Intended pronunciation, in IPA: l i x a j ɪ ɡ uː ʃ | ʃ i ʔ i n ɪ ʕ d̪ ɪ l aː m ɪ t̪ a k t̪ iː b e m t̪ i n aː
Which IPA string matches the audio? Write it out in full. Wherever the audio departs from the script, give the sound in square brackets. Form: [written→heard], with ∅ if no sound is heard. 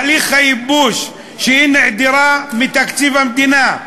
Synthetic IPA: l i x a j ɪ [ɡ→b] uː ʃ | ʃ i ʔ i n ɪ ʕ d̪ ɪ [l→ɾ] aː m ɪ t̪ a k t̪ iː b [e→a] m [t̪→d̪] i n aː